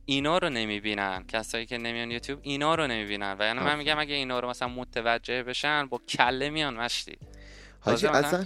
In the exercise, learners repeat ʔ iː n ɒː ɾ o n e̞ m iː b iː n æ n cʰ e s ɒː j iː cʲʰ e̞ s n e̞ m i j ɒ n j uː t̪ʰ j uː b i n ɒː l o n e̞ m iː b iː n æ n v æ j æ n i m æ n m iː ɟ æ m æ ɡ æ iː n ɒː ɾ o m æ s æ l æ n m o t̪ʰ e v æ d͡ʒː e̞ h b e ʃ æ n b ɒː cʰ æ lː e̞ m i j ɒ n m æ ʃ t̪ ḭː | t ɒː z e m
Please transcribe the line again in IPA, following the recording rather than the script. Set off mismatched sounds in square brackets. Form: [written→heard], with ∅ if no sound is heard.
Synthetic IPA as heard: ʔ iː n ɒː ɾ o n e̞ m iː b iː n æ n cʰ [e→æ] s ɒː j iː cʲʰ e̞ [s→∅] n e̞ m i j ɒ n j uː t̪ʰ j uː b i n ɒː [l→ɾ] o n e̞ m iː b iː n æ n v æ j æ n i m æ n m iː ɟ æ m æ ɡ æ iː n ɒː ɾ o m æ s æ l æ n m o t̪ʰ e v æ d͡ʒː e̞ h b e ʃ æ n b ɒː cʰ æ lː e̞ m i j ɒ n m æ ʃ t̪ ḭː | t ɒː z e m